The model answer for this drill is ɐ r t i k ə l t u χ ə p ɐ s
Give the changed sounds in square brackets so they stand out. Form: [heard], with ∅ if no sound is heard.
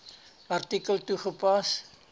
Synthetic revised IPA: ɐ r t i k ə l t u χ ə p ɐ s

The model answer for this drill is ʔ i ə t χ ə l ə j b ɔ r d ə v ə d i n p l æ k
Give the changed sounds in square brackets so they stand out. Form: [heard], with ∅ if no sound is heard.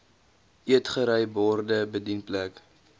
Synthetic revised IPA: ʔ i ə t χ ə [ɾ] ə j b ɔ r d ə [b] ə d i n p l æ k

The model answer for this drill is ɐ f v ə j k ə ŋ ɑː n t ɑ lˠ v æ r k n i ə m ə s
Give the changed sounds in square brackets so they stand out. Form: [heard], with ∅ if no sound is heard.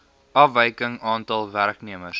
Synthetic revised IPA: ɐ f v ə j k ə ŋ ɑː n t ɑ lˠ v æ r k n i ə m ə s

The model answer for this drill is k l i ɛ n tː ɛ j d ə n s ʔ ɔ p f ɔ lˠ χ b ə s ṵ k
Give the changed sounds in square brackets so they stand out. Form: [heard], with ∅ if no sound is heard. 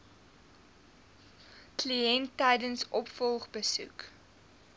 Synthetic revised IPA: k l i ɛ n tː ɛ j d ə n s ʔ ɔ p f ɔ lˠ χ b ə s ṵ k

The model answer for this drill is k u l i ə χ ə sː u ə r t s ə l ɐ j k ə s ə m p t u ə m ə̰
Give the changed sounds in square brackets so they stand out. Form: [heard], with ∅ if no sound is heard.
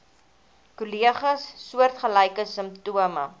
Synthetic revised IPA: k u l i ə χ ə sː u ə r t [χ] ə l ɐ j k ə s ə m p t u ə m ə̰

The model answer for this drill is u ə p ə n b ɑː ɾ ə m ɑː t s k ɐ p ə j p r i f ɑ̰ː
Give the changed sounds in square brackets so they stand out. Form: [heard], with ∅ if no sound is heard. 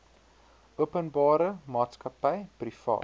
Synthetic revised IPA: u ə p ə n b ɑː ɾ ə m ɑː t s k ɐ p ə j p r i f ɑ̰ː

